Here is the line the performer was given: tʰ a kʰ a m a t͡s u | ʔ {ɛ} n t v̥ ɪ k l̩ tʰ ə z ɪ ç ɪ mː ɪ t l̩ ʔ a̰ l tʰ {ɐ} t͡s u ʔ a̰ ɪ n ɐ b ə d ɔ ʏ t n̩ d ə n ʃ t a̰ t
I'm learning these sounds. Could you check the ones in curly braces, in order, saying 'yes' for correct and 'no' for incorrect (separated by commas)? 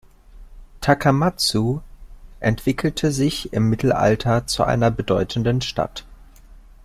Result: yes, yes